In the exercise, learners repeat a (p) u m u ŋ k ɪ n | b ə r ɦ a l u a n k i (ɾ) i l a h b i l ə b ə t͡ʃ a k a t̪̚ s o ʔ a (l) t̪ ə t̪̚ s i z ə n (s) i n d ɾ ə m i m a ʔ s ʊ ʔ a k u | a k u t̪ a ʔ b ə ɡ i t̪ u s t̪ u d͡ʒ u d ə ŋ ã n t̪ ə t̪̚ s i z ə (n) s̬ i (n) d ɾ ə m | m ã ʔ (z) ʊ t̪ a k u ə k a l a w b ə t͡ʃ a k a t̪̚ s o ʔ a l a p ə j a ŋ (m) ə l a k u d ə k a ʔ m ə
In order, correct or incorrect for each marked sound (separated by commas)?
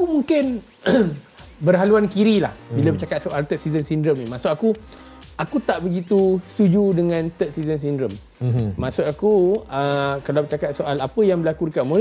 incorrect, correct, correct, correct, correct, correct, incorrect, incorrect